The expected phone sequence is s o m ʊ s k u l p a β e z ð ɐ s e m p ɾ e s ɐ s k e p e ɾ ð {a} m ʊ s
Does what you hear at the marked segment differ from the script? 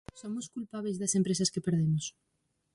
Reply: yes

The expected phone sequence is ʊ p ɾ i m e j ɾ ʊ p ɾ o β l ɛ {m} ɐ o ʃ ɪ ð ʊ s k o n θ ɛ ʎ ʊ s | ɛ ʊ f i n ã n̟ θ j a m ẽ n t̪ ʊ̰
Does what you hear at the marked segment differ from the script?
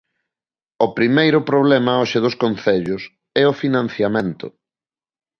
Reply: no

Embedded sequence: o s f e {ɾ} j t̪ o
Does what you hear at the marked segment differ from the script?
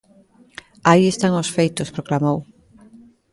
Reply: yes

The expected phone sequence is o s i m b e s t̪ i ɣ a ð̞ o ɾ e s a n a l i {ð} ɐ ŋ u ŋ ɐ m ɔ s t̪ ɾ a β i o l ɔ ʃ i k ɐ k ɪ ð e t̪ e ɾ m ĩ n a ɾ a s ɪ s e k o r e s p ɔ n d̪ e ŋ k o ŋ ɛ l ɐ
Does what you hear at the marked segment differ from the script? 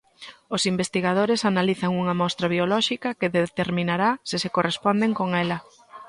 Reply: yes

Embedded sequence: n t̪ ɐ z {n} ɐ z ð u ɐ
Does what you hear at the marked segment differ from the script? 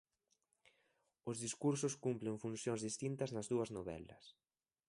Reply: no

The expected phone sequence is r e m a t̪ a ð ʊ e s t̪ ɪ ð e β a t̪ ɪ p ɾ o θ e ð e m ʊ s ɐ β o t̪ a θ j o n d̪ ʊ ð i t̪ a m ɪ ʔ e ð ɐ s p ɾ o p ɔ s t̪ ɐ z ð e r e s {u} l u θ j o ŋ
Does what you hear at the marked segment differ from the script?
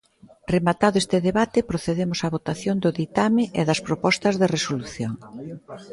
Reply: yes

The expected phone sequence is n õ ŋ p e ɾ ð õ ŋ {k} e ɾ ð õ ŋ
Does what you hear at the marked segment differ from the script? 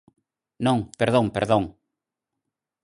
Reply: yes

